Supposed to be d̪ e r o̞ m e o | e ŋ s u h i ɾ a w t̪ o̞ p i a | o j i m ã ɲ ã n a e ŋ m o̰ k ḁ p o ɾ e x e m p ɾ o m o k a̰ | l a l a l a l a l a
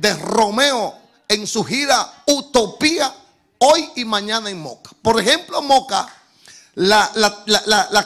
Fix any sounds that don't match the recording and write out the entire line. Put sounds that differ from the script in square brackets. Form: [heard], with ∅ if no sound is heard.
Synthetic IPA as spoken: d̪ e r o̞ m e o | e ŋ s u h i ɾ a [u] t̪ o̞ p i a | o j i m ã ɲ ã n a e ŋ m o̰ k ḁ p o ɾ e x e m p [l] o m o k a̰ | l a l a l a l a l a